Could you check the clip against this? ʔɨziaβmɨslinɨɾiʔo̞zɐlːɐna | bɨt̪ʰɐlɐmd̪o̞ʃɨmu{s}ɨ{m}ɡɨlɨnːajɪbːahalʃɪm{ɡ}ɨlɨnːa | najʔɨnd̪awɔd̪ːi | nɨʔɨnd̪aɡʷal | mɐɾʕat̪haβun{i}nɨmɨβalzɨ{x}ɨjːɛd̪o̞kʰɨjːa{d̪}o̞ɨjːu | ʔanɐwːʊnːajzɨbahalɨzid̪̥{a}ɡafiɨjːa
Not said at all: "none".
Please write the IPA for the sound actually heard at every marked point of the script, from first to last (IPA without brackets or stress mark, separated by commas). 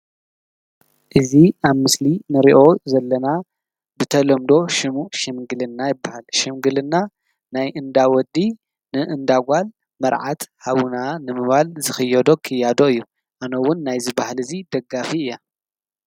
ʃ, m, ɡ, a, x, d̪, ɐ